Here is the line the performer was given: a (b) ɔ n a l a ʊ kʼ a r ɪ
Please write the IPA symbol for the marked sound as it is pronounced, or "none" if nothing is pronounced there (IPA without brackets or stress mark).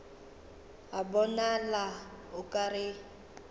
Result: b